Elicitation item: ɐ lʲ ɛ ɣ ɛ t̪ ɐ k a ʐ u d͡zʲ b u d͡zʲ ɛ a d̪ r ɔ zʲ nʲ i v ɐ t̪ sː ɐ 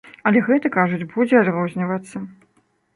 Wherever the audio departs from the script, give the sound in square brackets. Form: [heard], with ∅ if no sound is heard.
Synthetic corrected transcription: ɐ lʲ ɛ ɣ ɛ t̪ ɐ k a ʐ u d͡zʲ b u d͡zʲ ɛ a d̪ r ɔ zʲ nʲ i v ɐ t̪ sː ɐ